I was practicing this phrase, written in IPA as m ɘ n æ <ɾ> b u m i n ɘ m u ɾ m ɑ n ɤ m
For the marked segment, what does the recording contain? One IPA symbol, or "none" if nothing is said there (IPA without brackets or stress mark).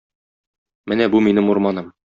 none